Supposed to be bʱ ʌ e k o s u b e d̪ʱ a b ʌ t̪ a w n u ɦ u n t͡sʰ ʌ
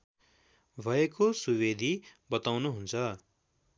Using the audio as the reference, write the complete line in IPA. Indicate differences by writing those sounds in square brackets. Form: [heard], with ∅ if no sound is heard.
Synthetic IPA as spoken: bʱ ʌ e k o s u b e d̪ʱ [i] b ʌ t̪ a w n u ɦ u n t͡sʰ ʌ

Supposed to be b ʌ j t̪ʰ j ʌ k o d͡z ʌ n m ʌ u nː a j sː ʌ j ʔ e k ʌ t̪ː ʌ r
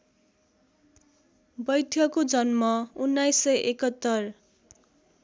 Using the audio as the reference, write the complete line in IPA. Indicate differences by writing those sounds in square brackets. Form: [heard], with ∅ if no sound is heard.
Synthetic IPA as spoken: b ʌ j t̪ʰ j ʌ k o d͡z ʌ n m ʌ u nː a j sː ʌ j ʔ e k ʌ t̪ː ʌ r

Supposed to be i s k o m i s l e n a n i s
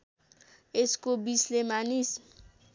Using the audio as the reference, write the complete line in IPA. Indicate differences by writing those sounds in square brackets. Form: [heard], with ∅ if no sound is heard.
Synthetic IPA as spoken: [e] s k o [b] i s l e [m] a n i s

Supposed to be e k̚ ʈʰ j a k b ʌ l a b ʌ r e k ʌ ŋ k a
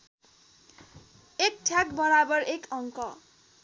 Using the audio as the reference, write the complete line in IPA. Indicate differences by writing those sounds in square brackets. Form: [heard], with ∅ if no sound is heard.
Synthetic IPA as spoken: e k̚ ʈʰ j a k b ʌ [ɾ] a b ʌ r e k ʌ ŋ k [ʌ]

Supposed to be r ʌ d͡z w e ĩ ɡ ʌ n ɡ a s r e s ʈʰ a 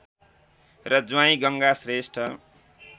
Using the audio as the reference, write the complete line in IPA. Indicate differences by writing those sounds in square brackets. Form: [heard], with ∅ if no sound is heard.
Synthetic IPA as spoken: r ʌ d͡z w [a] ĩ ɡ ʌ [ŋ] ɡ a s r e s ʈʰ [ʌ]

